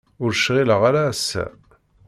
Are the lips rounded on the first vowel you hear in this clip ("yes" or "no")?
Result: yes